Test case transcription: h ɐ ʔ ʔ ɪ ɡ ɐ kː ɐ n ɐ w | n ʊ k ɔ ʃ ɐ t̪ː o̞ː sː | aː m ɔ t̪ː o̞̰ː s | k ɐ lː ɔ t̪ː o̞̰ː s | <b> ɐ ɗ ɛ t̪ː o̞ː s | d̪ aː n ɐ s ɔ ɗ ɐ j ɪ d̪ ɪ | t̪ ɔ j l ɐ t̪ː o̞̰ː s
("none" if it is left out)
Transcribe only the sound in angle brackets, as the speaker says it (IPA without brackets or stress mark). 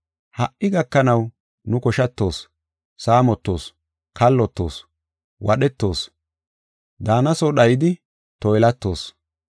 w